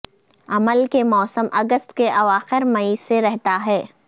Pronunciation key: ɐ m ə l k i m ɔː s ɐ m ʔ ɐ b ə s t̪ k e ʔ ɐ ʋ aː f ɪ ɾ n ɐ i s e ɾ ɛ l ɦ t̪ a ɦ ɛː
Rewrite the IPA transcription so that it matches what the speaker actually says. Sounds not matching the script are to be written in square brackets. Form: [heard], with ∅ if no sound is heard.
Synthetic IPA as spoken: ɐ m ə l k [e] m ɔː s [ə] m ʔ ɐ [ɡ] ə s t̪ k e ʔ ɐ ʋ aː [x] ɪ ɾ [m] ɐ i s e ɾ ɛ [∅] ɦ t̪ a ɦ ɛː